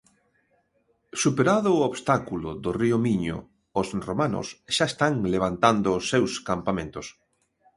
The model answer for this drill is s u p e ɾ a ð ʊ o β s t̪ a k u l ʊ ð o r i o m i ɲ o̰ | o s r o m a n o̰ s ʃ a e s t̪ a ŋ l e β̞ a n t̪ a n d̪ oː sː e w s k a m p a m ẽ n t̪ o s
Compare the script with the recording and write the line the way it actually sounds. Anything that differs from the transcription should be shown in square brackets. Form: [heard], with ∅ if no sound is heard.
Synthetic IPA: s u p e ɾ a ð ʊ o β s t̪ a k u l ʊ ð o r i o m i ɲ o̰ | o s r o m a n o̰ s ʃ a e s t̪ a ŋ l e β̞ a n t̪ a n d̪ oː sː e w s k a m p a m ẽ n t̪ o s